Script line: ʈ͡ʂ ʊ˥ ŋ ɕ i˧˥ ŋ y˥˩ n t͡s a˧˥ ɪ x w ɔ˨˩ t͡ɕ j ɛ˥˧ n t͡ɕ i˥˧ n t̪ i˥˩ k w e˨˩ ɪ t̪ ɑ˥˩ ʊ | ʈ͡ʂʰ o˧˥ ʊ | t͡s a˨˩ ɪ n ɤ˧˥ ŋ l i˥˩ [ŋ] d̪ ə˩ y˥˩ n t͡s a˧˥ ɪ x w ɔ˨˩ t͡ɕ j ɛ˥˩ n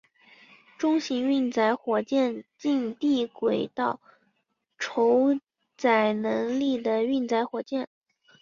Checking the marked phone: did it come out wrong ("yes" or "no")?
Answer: yes